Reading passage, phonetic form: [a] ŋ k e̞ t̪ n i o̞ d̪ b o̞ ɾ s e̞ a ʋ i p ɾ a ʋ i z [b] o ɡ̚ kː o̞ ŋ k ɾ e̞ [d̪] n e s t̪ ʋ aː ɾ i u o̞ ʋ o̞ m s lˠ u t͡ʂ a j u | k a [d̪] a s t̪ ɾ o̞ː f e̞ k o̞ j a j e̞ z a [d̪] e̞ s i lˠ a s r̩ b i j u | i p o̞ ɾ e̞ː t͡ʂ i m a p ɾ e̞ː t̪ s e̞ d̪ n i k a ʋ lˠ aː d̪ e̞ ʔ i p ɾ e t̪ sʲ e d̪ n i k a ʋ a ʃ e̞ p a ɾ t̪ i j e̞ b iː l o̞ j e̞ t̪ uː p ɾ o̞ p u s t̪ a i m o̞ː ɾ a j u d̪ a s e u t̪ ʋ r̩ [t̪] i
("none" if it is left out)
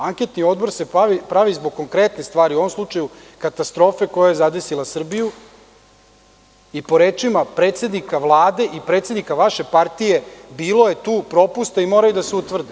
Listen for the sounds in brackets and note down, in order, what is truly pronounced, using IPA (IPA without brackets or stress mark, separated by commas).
a, b, t̪, t̪, d̪, d̪